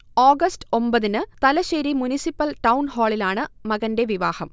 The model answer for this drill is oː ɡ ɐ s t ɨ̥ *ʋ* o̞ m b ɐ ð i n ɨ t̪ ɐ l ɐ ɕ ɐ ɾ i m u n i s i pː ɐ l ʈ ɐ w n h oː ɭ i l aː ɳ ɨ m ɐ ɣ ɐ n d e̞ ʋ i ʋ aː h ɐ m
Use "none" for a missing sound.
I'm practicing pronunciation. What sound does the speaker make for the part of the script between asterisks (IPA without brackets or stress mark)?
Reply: none